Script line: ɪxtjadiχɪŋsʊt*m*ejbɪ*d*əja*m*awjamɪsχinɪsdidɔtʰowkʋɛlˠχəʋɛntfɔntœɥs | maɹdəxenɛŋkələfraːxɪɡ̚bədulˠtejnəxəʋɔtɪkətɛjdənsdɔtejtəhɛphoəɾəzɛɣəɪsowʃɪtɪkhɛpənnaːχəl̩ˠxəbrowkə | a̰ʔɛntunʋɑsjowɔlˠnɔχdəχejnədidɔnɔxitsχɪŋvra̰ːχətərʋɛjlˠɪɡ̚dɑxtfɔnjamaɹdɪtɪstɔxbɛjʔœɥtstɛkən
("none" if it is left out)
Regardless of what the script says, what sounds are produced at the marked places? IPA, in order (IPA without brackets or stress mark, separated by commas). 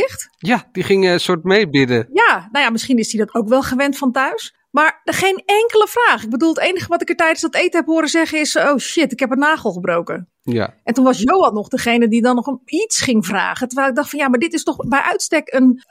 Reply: m, d, n